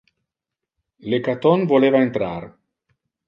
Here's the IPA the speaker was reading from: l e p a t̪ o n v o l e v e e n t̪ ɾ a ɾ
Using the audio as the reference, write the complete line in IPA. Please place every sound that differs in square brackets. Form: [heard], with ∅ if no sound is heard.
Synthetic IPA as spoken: l e [k] a t̪ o n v o l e v [a] e n t̪ ɾ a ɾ